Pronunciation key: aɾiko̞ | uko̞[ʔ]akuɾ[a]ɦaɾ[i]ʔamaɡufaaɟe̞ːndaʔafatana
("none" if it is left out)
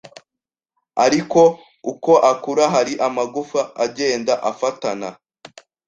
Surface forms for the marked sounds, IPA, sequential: ʔ, a, i

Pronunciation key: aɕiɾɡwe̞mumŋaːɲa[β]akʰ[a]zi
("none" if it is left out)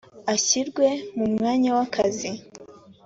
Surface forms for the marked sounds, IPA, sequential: w, a

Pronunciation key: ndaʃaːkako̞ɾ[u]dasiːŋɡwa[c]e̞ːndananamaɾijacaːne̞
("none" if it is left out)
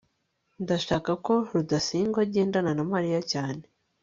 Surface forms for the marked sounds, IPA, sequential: u, ɟ

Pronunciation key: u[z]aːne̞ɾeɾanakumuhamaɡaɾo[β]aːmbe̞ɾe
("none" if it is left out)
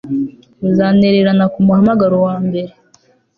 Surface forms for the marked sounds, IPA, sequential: z, w

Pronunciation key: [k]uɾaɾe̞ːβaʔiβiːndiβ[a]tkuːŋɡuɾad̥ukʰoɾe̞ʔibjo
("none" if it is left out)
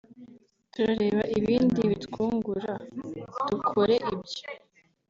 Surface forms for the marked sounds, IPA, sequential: t, i

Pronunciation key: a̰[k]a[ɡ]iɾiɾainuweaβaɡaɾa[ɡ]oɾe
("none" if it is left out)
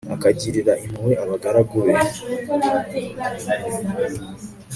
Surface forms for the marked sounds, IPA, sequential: k, ɟ, ɡ

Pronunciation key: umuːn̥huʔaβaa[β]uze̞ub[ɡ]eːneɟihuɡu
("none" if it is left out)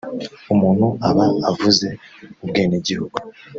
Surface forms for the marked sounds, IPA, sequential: v, ɡ

